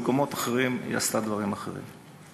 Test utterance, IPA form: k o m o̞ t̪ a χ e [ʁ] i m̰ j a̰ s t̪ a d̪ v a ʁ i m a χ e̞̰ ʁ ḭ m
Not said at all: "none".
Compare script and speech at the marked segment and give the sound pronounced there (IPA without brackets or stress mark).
ʁ